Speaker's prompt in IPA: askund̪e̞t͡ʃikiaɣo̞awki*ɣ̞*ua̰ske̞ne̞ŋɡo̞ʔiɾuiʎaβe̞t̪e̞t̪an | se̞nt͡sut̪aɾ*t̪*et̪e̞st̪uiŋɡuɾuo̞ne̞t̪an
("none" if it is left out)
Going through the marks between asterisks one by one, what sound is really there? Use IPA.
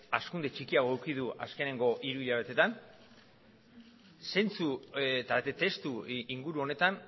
ð̞, t̪

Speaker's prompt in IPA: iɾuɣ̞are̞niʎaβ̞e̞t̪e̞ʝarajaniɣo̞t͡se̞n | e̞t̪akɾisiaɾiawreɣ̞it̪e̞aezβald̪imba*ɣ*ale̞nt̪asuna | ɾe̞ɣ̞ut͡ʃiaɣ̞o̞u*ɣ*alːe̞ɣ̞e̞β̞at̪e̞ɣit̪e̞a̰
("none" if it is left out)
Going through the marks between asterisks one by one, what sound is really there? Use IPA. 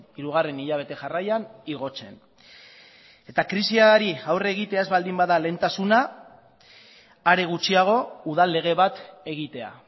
ð, ð

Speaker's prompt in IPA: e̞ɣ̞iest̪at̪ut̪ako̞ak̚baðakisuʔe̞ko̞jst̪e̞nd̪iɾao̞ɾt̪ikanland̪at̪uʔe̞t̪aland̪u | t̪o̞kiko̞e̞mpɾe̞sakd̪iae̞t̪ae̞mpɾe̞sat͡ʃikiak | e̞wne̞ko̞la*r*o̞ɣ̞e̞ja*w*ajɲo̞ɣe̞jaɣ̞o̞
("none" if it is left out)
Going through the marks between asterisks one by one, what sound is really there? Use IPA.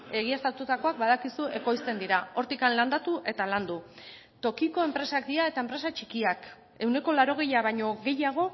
ɾ, β

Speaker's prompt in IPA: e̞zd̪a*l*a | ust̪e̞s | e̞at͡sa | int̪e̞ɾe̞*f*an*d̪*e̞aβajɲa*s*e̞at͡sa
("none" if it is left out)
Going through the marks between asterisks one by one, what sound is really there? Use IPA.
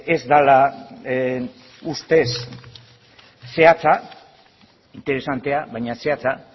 l, s, t̪, s

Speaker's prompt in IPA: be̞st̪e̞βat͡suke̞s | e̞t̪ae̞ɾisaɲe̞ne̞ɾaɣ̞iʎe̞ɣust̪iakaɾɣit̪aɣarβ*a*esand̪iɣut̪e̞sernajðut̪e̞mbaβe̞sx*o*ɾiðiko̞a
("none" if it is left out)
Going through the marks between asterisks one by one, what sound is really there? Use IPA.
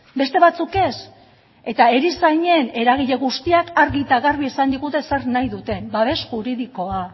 i, u

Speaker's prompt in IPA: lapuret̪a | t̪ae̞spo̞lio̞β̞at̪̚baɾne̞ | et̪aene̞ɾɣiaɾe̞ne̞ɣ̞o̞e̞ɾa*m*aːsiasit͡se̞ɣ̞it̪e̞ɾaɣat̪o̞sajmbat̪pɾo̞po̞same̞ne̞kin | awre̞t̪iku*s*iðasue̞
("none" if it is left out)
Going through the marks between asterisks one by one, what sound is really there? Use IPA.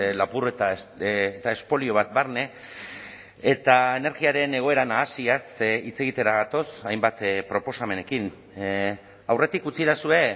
n, t͡s

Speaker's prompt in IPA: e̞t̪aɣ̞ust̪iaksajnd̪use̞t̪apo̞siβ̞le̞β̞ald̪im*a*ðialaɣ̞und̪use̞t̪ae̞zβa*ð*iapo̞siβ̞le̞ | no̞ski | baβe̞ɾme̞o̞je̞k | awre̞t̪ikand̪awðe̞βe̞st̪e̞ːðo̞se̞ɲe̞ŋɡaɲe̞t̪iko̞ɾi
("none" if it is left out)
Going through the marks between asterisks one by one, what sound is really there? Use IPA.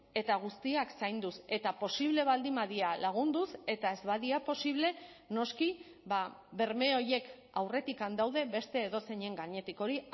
a, ð

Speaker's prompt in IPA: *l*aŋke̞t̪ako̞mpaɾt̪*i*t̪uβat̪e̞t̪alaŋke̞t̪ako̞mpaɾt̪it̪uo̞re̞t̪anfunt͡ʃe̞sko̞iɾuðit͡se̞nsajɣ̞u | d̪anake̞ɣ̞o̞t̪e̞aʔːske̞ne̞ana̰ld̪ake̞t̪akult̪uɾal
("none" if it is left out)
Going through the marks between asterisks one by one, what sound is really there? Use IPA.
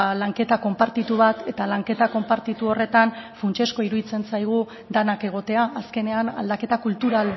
l, i

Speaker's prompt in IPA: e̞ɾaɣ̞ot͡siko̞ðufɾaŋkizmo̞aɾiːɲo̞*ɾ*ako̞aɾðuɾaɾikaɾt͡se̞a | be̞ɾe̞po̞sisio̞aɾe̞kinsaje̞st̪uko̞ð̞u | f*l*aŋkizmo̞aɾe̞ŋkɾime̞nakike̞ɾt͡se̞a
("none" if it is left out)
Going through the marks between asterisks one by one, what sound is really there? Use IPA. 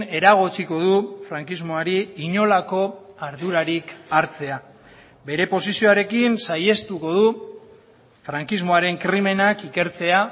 l, ɾ

